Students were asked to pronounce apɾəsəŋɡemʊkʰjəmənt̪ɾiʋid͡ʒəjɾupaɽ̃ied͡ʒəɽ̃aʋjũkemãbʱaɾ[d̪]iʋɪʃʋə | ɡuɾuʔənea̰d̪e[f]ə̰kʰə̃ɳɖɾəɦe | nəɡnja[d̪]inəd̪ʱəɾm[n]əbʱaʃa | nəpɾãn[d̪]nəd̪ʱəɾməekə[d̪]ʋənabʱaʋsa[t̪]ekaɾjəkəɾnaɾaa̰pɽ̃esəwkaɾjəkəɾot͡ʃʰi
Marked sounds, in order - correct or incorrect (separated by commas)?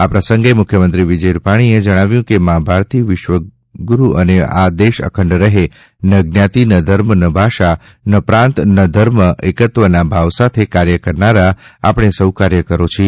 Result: incorrect, incorrect, incorrect, correct, incorrect, incorrect, incorrect